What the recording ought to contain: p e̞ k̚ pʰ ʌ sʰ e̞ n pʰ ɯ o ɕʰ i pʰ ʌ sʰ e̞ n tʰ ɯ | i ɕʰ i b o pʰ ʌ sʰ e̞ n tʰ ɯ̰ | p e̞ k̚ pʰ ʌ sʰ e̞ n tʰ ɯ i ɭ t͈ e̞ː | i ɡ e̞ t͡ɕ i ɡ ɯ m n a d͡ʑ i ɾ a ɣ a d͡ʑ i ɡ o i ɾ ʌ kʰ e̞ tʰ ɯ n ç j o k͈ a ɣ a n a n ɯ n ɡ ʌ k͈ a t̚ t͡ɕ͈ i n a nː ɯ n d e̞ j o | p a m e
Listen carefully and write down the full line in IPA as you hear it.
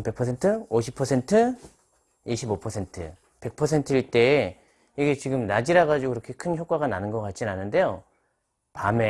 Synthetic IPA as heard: p e̞ k̚ pʰ ʌ sʰ e̞ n tʰ ɯ o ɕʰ i pʰ ʌ sʰ e̞ n tʰ ɯ | i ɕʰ i b o pʰ ʌ sʰ e̞ n tʰ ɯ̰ | p e̞ k̚ pʰ ʌ sʰ e̞ n tʰ ɯ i ɭ t͈ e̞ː | i ɡ e̞ t͡ɕ i ɡ ɯ m n a d͡ʑ i ɾ a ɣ a d͡ʑ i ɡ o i ɾ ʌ kʰ e̞ kʰ ɯ n ç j o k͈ a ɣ a n a n ɯ n ɡ ʌ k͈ a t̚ t͡ɕ͈ i n a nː ɯ n d e̞ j o | p a m e